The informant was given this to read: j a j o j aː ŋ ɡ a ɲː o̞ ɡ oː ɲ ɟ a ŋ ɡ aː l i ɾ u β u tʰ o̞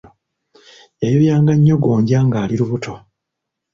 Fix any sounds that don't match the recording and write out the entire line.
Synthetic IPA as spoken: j a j o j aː ŋ ɡ a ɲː o̞ ɡ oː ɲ ɟ a ŋ ɡ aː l i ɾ u β u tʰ o̞